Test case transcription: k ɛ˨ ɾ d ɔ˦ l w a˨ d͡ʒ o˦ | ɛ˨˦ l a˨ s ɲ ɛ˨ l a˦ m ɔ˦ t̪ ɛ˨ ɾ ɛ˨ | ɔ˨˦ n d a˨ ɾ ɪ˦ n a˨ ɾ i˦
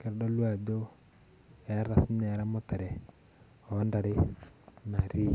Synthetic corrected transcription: k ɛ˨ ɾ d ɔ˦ l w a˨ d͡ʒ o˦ | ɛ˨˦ ɾ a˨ s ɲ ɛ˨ ɾ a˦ m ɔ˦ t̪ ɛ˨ ɾ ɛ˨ | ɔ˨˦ n d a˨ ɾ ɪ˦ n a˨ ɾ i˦